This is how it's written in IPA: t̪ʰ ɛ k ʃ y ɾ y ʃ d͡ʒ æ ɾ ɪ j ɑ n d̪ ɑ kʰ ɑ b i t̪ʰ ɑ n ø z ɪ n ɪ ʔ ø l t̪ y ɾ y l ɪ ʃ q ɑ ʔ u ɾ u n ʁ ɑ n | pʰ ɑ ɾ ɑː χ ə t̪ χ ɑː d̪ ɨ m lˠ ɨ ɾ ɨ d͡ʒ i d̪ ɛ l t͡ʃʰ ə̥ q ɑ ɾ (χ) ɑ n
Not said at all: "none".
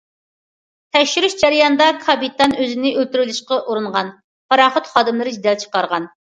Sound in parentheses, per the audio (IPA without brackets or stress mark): ʁ